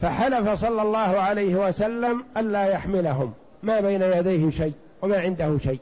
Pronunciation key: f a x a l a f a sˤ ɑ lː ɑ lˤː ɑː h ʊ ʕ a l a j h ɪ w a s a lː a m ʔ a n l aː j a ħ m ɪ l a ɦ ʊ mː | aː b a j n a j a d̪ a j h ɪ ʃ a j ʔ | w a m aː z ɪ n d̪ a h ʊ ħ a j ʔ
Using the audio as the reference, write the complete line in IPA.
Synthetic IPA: f a ħ a l a f a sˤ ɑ lː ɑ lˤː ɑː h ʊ ʕ a l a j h ɪ w a s a lː a m ʔ a n l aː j a ħ m ɪ l a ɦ ʊ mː | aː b a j n a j a d̪ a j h ɪ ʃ a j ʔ | w a m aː ʕ ɪ n d̪ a h ʊ ʃ a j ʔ